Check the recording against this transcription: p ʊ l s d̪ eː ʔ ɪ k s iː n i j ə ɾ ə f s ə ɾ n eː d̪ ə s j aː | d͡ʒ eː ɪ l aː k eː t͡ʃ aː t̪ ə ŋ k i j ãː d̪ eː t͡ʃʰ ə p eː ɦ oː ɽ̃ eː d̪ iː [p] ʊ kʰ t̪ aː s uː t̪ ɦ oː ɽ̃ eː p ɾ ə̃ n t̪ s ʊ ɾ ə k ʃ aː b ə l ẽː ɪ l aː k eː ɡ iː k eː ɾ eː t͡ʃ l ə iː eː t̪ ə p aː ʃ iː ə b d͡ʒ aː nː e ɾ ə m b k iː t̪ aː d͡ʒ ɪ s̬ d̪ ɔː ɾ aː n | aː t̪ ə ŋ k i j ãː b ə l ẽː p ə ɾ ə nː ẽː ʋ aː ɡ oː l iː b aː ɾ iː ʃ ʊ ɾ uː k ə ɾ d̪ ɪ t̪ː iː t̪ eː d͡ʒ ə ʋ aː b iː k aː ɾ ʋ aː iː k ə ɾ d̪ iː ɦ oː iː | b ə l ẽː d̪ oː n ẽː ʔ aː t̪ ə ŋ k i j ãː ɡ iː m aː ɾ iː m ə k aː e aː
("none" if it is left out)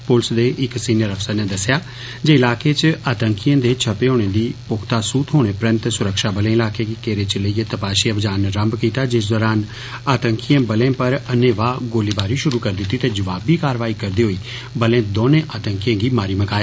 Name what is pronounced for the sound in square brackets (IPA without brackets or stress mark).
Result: p